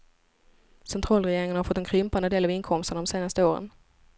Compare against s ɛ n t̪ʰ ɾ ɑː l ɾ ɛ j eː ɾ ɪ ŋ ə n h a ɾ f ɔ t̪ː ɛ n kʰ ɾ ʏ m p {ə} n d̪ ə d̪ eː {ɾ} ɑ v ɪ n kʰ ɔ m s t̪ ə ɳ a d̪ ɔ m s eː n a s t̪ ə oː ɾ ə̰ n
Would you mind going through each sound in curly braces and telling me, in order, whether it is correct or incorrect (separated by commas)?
incorrect, incorrect